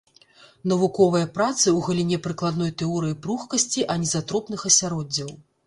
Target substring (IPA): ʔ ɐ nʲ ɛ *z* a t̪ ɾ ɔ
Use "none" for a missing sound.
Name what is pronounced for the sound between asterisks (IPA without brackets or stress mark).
z